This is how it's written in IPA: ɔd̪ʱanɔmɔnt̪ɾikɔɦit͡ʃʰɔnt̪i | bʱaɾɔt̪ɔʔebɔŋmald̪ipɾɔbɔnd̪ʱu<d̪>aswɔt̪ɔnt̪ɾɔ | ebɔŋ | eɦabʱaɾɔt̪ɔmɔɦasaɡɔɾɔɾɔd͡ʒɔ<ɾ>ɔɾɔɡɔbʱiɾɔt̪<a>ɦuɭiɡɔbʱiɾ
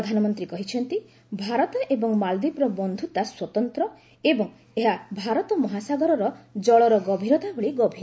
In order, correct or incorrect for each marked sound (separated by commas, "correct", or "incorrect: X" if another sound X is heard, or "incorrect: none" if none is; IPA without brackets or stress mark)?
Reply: incorrect: t̪, incorrect: ɭ, correct